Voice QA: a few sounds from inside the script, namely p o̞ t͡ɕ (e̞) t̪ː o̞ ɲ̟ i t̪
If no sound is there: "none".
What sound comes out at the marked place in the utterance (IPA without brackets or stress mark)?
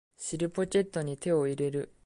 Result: e̞